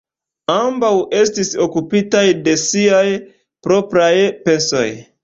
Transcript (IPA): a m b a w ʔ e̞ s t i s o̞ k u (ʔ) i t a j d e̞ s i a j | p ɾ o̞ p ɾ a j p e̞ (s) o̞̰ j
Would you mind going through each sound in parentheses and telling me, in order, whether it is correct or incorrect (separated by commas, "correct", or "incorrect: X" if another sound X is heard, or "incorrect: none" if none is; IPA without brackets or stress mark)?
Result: incorrect: p, correct